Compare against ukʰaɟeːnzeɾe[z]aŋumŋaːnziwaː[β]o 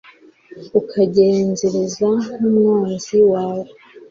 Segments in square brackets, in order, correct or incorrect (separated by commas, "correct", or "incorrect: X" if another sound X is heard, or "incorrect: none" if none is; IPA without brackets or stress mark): correct, incorrect: w